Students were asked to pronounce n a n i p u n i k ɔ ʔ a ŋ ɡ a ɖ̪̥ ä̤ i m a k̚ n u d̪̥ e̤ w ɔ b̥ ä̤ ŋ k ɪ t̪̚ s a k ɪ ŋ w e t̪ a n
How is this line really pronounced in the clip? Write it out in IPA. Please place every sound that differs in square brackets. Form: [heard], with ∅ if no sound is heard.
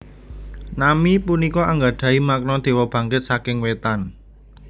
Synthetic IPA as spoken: n a [m] i p u n i k ɔ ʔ a ŋ ɡ a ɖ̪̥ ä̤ i m a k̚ n [ɔ] d̪̥ e̤ w ɔ b̥ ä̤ ŋ k ɪ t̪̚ s a k ɪ ŋ w e t̪ a n